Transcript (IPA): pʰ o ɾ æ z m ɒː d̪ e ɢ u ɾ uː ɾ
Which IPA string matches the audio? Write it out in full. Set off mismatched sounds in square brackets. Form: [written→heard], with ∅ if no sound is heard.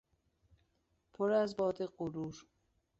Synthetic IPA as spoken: pʰ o ɾ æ z [m→b] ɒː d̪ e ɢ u ɾ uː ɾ